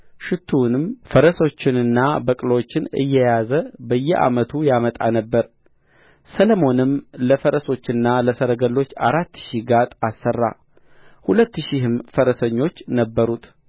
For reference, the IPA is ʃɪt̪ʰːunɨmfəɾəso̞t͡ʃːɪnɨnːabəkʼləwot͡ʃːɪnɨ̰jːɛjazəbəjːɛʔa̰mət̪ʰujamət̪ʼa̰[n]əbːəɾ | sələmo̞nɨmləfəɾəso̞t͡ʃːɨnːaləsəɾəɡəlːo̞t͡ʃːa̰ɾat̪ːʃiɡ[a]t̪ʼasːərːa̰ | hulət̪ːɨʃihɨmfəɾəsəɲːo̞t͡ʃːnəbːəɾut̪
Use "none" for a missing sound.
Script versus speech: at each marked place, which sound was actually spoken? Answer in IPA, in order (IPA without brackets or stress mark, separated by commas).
n, a